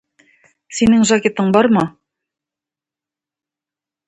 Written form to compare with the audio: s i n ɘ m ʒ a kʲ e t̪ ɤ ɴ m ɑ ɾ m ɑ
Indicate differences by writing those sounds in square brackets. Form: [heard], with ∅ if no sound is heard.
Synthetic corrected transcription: s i n ɘ [ŋ] ʒ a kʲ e t̪ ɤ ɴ [b] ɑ ɾ m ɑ